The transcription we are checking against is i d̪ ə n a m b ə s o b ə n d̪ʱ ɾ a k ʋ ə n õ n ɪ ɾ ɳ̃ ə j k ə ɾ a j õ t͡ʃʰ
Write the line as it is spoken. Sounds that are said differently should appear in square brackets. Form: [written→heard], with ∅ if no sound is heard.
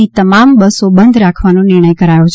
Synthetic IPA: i [d̪→t̪] ə [n→m] a m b ə s o b ə n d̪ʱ ɾ a [k→kʰ] ʋ [ə→a] n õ n ɪ ɾ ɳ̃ ə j k ə ɾ a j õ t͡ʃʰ